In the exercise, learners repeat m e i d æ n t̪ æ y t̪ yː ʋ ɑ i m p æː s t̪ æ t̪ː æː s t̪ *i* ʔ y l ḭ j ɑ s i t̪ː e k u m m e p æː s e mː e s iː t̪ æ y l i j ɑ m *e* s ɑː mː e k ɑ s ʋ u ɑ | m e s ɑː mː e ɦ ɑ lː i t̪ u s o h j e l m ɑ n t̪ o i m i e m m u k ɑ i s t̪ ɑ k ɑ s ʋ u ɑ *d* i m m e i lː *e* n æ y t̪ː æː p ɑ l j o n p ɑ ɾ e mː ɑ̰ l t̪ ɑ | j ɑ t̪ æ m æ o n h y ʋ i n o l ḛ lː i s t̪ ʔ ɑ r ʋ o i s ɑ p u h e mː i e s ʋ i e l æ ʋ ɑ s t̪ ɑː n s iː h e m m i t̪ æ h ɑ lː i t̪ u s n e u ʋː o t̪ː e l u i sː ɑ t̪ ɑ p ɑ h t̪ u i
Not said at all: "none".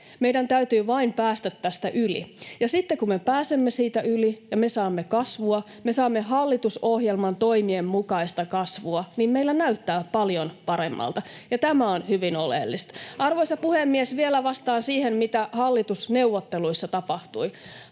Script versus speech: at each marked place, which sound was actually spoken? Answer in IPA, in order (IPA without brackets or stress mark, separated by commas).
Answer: æ, e, n, æ